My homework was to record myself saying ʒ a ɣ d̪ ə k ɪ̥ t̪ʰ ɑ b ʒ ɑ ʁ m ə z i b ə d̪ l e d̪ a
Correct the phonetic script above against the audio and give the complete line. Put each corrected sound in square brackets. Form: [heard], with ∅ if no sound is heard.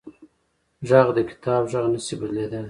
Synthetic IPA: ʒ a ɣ d̪ ə k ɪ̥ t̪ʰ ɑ b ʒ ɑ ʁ [n] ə [s] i b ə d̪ l e d̪ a